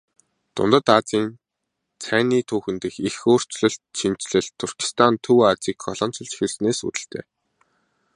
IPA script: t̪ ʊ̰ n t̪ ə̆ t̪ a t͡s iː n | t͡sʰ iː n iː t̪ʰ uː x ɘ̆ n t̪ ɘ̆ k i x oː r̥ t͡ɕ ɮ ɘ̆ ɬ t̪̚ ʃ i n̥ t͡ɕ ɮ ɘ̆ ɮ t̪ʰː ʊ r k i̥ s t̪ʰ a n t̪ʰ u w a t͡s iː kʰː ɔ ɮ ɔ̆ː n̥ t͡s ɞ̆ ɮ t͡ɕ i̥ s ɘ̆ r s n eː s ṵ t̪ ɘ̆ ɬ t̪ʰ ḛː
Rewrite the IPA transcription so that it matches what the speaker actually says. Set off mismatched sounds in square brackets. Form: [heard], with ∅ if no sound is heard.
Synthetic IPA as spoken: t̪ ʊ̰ n t̪ ə̆ t̪ a t͡s iː n | t͡sʰ [æː] n iː t̪ʰ uː x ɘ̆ n t̪ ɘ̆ [x] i x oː r̥ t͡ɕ ɮ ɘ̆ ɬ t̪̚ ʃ i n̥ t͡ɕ ɮ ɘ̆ ɮ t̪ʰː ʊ r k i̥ s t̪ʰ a n t̪ʰ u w a t͡s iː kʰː ɔ ɮ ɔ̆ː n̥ t͡s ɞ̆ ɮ t͡ɕ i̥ [x] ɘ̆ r s n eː s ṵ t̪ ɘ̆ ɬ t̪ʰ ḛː